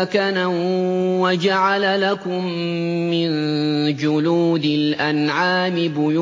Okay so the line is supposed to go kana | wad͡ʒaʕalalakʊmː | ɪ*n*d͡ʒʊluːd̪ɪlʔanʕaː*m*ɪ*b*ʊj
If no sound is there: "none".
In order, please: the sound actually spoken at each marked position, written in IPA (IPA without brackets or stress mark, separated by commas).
n, m, b